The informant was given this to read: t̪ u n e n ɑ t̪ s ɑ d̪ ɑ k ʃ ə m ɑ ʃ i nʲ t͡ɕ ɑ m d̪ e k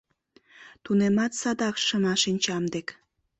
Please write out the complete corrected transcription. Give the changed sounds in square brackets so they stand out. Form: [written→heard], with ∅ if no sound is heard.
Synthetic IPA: t̪ u n e [n→m] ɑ t̪ s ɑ d̪ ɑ k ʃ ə m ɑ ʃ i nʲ t͡ɕ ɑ m d̪ e k